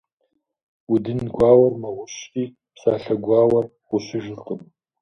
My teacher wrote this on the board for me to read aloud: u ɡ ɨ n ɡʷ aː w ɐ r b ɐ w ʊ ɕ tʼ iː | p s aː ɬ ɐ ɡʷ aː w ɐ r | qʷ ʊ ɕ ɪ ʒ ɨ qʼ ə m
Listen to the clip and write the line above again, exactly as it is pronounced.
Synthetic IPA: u d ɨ n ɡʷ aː w ɐ r m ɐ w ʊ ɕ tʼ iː | p s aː ɬ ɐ ɡʷ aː w ɐ r | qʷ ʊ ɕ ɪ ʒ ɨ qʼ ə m